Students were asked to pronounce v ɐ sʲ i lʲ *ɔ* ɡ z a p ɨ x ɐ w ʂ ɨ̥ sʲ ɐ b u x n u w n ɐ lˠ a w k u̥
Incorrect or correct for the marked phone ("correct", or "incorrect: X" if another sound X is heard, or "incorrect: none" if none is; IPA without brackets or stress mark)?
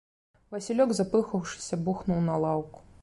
correct